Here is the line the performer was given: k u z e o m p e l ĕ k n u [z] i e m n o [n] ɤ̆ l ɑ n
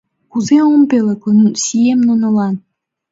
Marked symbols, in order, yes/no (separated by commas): no, yes